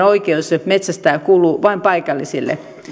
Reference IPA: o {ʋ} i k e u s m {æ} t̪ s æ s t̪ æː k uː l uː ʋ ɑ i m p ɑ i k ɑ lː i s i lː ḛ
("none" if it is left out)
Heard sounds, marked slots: none, e

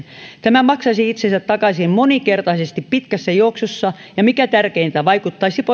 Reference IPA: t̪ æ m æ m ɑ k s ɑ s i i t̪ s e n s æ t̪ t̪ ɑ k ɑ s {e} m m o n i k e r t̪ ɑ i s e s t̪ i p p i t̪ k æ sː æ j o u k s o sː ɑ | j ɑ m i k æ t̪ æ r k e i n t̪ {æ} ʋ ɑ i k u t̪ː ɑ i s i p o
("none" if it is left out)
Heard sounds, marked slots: i, æ

